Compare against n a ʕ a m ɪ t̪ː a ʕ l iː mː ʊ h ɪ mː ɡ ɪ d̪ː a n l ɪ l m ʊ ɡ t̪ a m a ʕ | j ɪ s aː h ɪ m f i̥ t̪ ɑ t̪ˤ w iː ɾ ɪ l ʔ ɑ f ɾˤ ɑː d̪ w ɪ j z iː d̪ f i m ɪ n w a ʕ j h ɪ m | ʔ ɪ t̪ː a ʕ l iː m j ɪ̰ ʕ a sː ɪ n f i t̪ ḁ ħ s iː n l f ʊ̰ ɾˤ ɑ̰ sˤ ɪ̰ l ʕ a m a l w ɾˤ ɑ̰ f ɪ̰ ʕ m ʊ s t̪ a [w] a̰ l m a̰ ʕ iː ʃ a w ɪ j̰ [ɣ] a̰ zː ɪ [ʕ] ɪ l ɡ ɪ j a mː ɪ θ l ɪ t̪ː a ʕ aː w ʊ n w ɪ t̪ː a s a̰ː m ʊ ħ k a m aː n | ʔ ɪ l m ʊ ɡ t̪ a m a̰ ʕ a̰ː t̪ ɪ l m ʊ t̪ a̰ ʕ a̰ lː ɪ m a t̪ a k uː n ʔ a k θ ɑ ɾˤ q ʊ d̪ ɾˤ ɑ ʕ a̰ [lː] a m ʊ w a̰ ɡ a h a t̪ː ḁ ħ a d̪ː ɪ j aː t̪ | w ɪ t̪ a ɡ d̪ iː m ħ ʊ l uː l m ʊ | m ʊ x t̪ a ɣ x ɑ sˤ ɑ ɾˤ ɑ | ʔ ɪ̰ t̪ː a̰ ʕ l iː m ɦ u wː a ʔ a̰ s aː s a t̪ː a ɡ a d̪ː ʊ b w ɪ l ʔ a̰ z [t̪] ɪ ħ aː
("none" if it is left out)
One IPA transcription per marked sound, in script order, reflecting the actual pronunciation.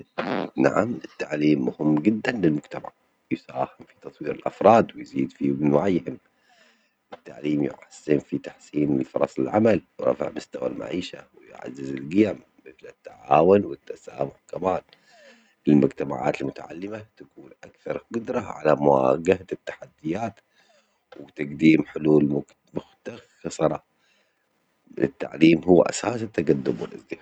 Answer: w, ʕ, z, l, d̪

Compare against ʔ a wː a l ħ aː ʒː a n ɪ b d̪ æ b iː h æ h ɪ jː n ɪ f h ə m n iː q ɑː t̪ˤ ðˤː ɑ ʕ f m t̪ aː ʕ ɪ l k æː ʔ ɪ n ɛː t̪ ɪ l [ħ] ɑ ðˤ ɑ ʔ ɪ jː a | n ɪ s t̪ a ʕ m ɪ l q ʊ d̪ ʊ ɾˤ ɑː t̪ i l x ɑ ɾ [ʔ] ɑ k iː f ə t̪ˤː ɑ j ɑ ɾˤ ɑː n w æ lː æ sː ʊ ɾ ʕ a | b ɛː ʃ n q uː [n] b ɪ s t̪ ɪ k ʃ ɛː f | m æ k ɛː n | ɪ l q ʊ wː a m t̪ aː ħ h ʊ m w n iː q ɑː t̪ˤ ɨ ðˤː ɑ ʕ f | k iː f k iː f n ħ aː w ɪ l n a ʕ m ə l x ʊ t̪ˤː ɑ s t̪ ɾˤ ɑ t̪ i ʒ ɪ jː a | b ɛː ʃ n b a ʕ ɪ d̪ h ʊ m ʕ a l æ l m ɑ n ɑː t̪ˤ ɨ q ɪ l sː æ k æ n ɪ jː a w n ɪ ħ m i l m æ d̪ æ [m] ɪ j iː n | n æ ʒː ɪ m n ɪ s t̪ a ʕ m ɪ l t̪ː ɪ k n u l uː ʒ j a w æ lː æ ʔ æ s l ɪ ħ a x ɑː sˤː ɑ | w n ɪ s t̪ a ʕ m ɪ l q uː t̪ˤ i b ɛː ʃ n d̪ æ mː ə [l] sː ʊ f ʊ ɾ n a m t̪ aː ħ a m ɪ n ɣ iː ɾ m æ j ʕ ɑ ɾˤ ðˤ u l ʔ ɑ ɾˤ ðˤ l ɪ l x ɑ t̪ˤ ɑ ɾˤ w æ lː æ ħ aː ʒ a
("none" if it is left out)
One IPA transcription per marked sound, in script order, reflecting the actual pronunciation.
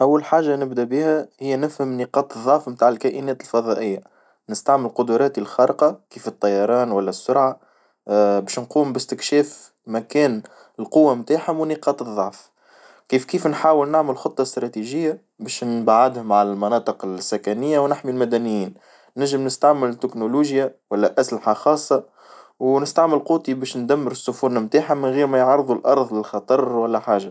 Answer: f, q, m, n, ɾ

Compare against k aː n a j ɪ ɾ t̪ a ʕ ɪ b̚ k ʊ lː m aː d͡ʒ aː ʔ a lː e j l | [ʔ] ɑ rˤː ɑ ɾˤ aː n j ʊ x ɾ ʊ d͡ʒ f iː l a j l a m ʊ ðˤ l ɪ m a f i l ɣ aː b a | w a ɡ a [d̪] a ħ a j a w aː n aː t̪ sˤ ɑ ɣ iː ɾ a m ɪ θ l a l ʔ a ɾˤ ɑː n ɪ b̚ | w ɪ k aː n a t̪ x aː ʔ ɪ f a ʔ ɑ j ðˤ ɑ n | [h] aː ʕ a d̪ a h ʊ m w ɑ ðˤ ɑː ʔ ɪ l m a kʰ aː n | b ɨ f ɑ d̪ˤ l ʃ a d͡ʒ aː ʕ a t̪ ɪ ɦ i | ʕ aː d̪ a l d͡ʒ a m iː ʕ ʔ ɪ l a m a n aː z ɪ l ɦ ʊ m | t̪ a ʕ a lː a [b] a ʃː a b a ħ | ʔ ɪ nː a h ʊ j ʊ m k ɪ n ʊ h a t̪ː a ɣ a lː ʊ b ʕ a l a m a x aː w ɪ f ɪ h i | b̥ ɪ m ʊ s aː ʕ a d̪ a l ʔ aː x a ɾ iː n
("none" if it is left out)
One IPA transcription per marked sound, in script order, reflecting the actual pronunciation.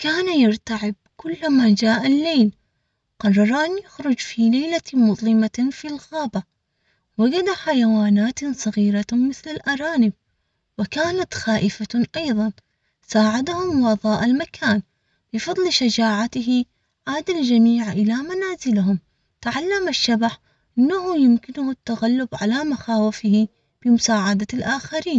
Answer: q, d̪, s, m

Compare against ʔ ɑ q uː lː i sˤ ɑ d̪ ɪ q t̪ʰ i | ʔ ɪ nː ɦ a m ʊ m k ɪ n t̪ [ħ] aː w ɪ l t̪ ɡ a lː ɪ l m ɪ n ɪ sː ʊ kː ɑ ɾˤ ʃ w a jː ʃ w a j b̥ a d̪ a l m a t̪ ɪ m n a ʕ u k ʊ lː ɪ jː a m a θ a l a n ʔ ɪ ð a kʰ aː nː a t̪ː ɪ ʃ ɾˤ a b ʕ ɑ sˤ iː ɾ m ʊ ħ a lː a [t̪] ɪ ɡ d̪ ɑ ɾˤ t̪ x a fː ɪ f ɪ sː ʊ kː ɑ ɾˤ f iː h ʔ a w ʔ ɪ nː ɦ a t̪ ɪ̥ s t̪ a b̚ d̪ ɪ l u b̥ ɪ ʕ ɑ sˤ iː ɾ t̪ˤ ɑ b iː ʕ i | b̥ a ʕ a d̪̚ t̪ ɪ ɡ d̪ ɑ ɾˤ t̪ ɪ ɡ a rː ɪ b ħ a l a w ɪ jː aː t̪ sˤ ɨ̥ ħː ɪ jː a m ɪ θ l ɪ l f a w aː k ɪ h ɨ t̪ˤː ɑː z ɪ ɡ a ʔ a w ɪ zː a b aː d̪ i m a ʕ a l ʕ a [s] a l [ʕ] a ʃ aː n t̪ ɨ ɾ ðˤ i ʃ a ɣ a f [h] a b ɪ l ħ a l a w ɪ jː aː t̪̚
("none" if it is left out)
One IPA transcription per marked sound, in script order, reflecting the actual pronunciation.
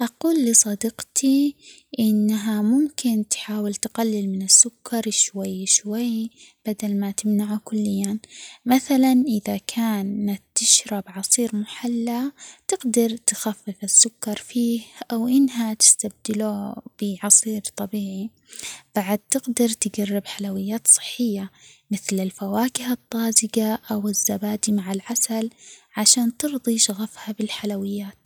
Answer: ħ, t̪, s, ʕ, h

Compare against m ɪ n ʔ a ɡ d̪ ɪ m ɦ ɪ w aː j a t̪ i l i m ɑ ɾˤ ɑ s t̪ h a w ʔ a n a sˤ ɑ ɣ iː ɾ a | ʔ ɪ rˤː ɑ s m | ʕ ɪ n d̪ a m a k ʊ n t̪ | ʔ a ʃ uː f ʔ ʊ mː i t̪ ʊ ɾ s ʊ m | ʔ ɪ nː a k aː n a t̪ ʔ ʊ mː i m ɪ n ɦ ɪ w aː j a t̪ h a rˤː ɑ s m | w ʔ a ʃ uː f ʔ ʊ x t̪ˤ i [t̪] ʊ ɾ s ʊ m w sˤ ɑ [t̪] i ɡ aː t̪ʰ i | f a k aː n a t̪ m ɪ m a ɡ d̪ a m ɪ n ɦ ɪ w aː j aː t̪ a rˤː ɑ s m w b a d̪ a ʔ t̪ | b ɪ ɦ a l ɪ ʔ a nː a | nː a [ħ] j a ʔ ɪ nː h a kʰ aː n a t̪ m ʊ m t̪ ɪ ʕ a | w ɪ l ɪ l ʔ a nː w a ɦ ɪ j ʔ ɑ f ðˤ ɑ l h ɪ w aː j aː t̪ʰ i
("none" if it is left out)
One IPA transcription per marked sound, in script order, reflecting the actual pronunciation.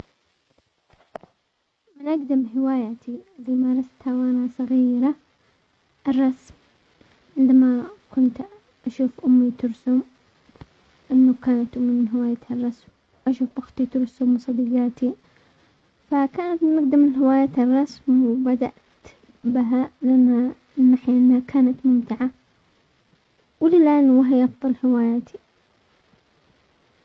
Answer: t̪, d̪, ħ

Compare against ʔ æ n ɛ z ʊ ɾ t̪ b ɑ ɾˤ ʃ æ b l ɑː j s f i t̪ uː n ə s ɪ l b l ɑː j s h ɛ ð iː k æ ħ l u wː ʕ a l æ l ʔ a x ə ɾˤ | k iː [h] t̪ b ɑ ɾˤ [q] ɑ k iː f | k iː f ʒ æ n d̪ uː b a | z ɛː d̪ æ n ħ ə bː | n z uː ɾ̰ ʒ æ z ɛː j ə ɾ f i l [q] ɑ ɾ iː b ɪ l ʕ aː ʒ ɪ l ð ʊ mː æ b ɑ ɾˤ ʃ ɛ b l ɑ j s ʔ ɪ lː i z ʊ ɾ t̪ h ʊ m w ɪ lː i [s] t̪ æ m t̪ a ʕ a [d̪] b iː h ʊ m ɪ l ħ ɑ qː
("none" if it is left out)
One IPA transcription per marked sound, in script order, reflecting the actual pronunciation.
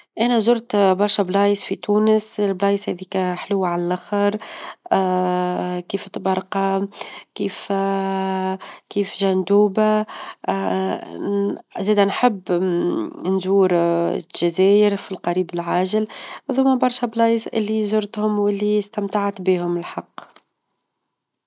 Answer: f, q, q, s, t̪

